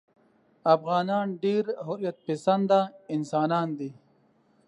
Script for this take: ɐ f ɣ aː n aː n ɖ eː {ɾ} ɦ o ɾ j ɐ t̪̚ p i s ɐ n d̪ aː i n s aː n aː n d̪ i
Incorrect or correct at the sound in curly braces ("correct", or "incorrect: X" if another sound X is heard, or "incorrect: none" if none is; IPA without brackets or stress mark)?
correct